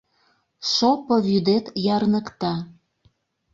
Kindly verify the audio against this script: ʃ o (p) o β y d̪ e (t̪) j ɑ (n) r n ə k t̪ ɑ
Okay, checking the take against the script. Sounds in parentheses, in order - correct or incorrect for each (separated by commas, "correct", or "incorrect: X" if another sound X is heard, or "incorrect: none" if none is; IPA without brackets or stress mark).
correct, correct, incorrect: none